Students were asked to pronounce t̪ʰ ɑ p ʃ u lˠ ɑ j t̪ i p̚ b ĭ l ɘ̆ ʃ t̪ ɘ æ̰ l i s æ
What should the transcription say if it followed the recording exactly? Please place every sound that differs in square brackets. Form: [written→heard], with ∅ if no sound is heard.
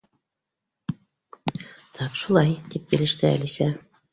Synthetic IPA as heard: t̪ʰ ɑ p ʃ u lˠ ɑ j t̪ i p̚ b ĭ l ɘ̆ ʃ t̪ ɘ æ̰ l i s æ